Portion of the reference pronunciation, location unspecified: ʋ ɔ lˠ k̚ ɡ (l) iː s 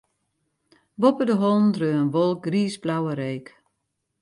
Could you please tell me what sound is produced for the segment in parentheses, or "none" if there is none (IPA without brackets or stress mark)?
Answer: r